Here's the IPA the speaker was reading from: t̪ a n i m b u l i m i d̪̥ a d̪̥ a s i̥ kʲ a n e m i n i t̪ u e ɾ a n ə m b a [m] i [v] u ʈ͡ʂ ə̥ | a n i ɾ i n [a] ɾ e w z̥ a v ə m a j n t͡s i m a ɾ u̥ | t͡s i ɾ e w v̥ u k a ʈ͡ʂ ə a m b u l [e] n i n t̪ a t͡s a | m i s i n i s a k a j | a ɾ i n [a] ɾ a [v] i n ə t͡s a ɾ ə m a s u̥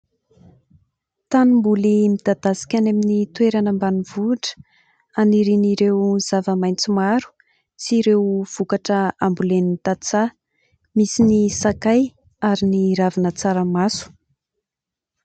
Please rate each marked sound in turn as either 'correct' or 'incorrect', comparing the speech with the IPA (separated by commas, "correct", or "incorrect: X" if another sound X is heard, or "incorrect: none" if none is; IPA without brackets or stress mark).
incorrect: n, correct, incorrect: i, correct, incorrect: i, correct